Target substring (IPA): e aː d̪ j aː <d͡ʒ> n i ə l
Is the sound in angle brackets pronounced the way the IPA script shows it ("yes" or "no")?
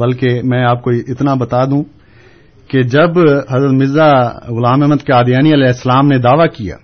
no